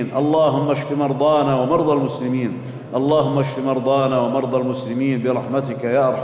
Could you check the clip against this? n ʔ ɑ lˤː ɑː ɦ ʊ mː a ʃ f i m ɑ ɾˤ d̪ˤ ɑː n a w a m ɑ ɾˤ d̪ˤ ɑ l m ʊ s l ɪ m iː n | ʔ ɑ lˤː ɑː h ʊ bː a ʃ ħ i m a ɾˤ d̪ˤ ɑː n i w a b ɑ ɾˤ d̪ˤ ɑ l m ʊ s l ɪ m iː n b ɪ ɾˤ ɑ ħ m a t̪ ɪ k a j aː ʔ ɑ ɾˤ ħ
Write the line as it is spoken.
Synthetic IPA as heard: n ʔ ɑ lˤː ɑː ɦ ʊ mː a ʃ f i m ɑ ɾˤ d̪ˤ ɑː n a w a m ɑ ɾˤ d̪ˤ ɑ l m ʊ s l ɪ m iː n | ʔ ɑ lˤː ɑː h ʊ mː a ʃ f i m ɑ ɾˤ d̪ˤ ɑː n a w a m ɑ ɾˤ d̪ˤ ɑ l m ʊ s l ɪ m iː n b ɪ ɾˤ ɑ ħ m a t̪ ɪ k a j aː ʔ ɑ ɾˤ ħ